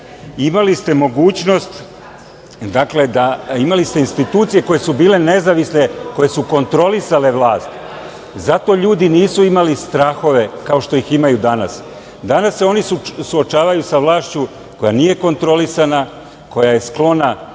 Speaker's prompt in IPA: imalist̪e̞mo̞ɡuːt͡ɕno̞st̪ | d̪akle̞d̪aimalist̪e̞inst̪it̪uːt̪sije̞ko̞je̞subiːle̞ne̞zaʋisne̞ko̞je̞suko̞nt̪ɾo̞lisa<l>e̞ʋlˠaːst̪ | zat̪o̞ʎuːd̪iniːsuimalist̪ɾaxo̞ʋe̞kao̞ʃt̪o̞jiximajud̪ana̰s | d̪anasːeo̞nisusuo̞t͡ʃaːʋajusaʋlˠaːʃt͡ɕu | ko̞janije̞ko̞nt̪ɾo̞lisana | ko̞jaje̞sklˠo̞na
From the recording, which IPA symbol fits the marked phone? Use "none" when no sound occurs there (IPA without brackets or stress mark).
l